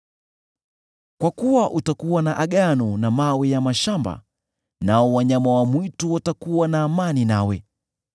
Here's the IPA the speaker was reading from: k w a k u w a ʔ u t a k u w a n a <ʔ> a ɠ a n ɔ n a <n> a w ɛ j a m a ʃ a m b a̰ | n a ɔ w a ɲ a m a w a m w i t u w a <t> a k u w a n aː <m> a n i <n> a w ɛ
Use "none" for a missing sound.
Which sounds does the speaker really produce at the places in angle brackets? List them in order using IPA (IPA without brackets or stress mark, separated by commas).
ʔ, m, t, m, n